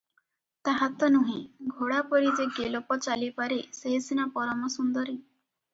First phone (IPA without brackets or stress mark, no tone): t̪